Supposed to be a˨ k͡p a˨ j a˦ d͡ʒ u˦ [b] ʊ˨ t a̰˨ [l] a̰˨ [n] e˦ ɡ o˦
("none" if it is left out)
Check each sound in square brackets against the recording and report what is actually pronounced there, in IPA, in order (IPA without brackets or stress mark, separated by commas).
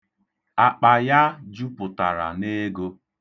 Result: p, ɾ, n